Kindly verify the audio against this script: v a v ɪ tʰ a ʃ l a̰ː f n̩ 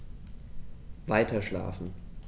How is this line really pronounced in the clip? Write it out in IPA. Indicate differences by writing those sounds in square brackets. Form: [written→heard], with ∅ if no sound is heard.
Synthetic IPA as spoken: v a [v→∅] ɪ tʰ [a→ɐ] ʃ l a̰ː f n̩